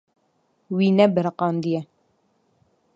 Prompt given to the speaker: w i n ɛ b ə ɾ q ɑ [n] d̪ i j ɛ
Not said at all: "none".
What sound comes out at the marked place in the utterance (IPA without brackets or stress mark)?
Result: n